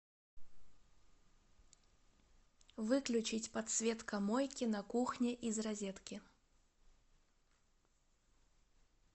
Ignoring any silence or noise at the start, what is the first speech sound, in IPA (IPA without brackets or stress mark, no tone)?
v